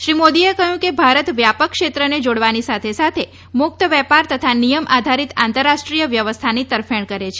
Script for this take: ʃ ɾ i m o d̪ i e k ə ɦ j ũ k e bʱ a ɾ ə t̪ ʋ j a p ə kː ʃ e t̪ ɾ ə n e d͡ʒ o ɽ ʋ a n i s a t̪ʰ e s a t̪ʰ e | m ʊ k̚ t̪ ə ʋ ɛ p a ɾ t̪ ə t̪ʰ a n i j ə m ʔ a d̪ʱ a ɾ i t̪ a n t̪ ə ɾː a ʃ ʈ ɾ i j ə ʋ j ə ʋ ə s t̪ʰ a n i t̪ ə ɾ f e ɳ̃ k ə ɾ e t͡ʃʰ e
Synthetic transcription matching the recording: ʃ ɾ i m o d̪ i e k ə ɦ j ũ k e bʱ a ɾ ə t̪ ʋ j a p ə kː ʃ e t̪ ɾ ə n e d͡ʒ o ɽ ʋ a n i s a t̪ʰ e s a t̪ʰ e | m ʊ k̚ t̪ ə ʋ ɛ p a ɾ t̪ ə t̪ʰ a n i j ə m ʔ a d̪ʱ a ɾ i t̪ a n t̪ ə ɾː a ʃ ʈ ɾ i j ə ʋ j ə ʋ ə s t̪ʰ a n i t̪ ə ɾ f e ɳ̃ k ə ɾ e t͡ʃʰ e